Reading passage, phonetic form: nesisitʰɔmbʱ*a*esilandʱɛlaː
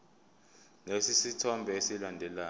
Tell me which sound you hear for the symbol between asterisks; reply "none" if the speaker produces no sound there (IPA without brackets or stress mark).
ɛ